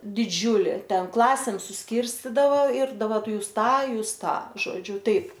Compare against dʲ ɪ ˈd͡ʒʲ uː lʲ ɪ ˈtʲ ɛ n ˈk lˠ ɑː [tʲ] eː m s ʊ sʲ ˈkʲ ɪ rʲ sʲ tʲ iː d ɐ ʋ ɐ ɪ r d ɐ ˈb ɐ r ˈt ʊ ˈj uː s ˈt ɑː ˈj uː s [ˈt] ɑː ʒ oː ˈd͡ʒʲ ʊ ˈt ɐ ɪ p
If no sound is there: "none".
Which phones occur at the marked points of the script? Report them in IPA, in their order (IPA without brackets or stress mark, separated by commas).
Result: sʲ, t